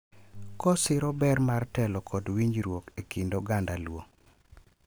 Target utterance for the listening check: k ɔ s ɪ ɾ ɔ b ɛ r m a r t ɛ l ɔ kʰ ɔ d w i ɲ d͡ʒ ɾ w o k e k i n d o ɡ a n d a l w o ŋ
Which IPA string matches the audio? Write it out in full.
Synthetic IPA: k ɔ s ɪ ɾ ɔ b ɛ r m a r t ɛ l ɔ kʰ ɔ d w i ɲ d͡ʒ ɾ w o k e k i n d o ɡ a n d a l w o ŋ